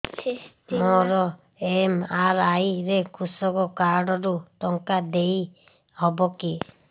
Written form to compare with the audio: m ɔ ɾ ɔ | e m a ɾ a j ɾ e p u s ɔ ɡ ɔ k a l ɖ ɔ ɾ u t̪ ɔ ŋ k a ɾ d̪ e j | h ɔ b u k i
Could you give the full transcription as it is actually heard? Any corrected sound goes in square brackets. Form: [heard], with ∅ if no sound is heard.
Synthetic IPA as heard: m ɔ ɾ ɔ | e m a ɾ a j ɾ e [k] u s ɔ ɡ ɔ k a [ɾ] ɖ ɔ ɾ u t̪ ɔ ŋ k a [∅] d̪ e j | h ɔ b [ɔ] k i